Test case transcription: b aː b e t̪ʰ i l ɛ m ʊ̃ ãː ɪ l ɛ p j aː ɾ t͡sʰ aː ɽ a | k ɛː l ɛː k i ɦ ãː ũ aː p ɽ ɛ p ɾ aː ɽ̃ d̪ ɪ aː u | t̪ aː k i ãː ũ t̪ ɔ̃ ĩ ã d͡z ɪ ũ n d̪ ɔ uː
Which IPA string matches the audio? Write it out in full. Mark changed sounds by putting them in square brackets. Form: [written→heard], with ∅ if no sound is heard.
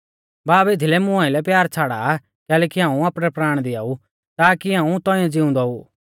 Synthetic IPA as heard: b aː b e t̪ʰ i l ɛ m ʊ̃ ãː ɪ l ɛ p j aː ɾ t͡sʰ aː ɽ a | k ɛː l ɛː k i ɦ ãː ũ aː p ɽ ɛ p ɾ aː ɽ̃ d̪ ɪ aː u | t̪ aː k i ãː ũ t̪ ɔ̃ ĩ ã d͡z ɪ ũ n d̪ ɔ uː